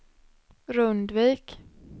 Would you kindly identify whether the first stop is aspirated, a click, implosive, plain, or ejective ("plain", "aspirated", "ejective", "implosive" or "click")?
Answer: plain